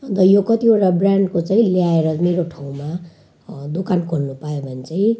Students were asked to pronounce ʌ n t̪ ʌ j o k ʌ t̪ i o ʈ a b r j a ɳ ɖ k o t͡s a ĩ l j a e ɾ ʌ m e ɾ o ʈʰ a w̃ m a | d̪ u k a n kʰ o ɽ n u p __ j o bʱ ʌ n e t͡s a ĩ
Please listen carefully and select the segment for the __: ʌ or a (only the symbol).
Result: a